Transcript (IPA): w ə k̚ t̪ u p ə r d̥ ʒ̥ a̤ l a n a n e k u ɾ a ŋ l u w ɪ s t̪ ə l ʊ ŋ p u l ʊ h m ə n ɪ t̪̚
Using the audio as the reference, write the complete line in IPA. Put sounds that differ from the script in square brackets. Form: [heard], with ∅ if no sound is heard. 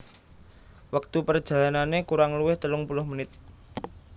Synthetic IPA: w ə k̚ t̪ u p ə r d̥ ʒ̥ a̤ l a n a n e k u ɾ a ŋ l u w ɪ [h] t̪ ə l ʊ ŋ p u l ʊ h m ə n ɪ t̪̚